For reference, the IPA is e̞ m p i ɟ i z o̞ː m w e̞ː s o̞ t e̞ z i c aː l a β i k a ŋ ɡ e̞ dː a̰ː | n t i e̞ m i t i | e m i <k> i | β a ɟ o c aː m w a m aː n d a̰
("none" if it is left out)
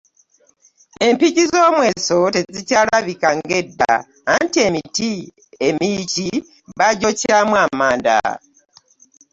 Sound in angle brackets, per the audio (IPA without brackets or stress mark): c